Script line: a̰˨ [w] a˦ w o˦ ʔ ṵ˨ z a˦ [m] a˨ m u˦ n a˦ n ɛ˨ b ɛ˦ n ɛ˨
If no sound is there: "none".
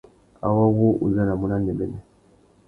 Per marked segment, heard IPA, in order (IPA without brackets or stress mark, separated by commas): w, n